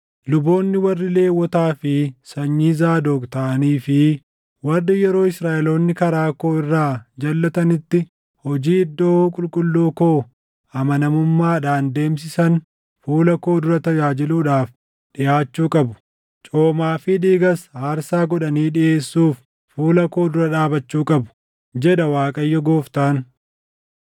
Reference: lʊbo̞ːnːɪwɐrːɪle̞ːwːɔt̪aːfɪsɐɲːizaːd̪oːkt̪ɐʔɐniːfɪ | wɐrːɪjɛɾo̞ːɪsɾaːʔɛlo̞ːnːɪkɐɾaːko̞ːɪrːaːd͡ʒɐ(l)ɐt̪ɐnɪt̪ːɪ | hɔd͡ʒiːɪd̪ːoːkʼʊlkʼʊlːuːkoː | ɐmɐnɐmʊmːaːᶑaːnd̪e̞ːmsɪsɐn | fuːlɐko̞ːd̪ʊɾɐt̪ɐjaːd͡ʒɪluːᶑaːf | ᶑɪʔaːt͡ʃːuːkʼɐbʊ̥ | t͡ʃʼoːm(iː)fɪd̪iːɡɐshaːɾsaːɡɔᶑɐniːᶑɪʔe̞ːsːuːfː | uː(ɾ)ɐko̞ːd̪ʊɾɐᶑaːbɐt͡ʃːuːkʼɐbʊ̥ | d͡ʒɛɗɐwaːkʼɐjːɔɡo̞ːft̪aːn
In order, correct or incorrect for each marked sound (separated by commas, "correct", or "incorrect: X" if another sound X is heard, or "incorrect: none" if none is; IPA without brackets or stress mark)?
incorrect: lː, incorrect: aː, incorrect: l